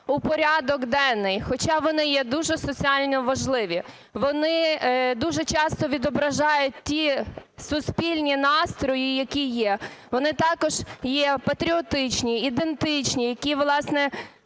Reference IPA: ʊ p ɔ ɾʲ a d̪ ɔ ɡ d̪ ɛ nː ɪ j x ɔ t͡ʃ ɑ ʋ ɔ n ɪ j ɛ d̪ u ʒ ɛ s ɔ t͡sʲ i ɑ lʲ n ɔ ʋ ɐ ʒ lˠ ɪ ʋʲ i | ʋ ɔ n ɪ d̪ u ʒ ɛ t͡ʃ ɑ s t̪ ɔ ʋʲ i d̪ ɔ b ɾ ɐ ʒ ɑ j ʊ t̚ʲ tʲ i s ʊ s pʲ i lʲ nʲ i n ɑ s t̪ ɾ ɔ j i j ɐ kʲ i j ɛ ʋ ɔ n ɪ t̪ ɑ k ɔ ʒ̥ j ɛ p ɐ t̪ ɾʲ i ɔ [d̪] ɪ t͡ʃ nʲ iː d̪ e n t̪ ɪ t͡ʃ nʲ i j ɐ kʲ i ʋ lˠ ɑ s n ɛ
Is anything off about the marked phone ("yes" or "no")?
yes